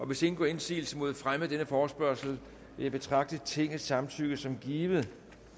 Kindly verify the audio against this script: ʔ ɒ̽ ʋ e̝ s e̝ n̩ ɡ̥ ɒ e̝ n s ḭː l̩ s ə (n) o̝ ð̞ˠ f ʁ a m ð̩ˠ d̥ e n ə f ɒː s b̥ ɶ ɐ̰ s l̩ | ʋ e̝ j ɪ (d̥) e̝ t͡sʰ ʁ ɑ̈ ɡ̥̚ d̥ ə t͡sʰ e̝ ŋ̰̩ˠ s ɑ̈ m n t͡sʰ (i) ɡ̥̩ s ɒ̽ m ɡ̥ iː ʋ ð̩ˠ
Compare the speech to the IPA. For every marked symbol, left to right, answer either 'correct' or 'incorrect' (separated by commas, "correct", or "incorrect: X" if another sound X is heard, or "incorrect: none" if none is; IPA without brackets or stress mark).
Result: incorrect: m, incorrect: b̥, incorrect: y